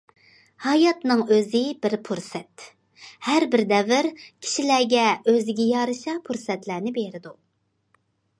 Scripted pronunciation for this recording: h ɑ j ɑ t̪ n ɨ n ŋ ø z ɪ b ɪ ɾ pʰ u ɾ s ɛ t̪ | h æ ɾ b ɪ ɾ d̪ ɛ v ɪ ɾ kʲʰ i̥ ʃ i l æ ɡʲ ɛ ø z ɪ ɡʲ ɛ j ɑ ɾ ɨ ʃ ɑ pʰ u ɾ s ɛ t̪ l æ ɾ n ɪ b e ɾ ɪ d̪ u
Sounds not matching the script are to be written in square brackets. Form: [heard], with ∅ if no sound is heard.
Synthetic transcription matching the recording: h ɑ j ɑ t̪ n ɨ [∅] ŋ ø z ɪ b ɪ ɾ pʰ u ɾ s ɛ t̪ | h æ ɾ b ɪ ɾ d̪ ɛ v ɪ ɾ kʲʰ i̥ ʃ i l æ ɡʲ ɛ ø z ɪ ɡʲ ɛ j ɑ ɾ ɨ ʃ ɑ pʰ u ɾ s ɛ t̪ l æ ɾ n ɪ b e ɾ ɪ d̪ u